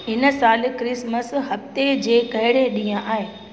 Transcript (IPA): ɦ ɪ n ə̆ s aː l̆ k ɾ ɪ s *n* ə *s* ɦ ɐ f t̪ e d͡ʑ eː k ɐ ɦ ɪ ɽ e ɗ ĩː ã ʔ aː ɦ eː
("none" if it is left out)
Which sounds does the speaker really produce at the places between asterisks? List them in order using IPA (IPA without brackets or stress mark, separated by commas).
m, s